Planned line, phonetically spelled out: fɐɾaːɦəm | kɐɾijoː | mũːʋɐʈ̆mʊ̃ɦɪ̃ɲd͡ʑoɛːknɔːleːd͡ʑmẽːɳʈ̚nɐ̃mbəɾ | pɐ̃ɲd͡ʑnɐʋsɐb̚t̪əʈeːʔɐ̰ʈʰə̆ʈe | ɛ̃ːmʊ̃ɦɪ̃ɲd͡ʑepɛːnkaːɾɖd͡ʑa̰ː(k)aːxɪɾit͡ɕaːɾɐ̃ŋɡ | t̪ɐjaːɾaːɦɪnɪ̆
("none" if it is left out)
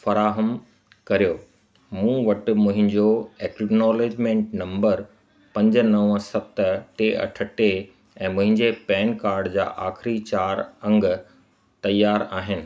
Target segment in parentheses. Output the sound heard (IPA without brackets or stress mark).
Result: ʔ